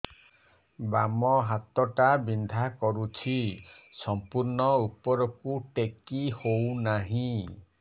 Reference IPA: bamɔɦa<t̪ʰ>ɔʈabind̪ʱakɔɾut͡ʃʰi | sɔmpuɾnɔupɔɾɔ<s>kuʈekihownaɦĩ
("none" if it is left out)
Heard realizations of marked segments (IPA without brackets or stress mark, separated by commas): t̪, none